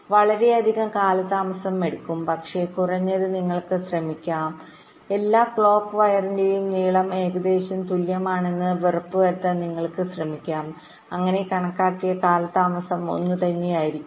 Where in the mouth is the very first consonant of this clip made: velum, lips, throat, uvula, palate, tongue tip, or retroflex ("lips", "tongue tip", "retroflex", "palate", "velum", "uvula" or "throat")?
lips